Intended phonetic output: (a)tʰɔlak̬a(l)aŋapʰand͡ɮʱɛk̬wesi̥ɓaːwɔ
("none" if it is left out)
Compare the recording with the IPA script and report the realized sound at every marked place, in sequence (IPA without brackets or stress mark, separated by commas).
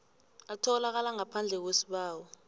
a, l